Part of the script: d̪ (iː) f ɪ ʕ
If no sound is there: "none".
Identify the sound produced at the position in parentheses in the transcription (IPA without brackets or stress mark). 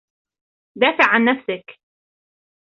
aː